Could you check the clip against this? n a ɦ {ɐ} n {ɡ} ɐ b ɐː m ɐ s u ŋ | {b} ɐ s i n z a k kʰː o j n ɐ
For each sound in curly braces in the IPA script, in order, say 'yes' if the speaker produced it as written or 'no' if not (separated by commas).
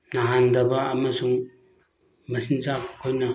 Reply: no, no, no